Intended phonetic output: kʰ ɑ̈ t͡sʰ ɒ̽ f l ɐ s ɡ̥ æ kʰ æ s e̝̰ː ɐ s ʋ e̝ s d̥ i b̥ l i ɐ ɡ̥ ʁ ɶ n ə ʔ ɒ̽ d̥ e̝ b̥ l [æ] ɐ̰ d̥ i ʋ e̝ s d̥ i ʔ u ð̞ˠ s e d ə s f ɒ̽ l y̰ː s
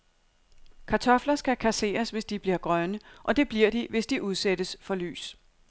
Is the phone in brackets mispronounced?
yes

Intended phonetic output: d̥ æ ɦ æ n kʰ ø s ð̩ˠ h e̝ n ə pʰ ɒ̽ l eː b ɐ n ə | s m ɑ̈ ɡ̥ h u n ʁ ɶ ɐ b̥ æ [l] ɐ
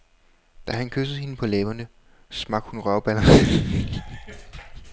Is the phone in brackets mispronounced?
no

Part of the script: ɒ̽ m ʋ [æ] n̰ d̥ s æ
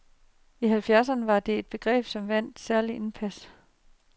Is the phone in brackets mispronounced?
no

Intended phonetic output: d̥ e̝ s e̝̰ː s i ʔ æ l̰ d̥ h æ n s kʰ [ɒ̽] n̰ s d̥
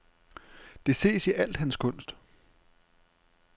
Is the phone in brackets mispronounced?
yes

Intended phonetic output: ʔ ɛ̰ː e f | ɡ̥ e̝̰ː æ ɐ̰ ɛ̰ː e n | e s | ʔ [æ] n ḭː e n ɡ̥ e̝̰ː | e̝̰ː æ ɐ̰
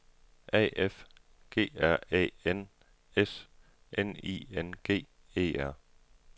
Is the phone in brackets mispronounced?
yes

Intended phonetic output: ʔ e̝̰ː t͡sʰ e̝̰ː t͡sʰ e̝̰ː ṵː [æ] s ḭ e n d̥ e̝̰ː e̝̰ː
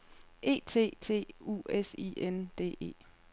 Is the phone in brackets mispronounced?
yes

